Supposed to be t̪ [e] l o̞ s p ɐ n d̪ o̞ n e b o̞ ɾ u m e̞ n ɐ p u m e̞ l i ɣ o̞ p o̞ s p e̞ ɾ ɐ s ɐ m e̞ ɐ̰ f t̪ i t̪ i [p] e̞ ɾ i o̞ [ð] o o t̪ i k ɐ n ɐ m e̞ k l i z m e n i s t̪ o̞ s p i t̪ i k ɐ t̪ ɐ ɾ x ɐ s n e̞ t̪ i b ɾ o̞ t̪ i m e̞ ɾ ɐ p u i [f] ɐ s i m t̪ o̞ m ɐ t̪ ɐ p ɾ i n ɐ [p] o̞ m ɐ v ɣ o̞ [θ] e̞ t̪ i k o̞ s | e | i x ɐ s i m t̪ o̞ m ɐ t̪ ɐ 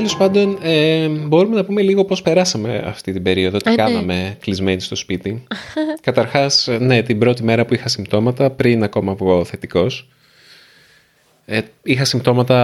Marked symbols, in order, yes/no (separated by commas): yes, no, yes, no, no, yes